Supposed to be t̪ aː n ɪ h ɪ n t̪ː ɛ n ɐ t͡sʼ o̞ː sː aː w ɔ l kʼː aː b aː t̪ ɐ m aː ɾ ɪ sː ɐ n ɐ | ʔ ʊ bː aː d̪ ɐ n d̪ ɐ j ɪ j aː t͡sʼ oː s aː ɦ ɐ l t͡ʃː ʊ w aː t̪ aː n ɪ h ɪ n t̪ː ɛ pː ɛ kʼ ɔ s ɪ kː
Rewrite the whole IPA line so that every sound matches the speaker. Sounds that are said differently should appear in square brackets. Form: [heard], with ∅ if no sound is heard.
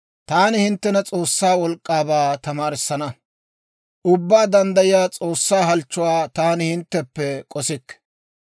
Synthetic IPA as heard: t̪ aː n ɪ h ɪ n t̪ː ɛ n ɐ t͡sʼ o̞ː sː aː w ɔ l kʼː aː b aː t̪ ɐ m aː ɾ ɪ sː ɐ n ɐ | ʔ ʊ bː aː d̪ ɐ n d̪ ɐ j ɪ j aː t͡sʼ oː [sː] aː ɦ ɐ l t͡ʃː ʊ w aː t̪ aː n ɪ h ɪ n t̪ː ɛ pː ɛ kʼ ɔ s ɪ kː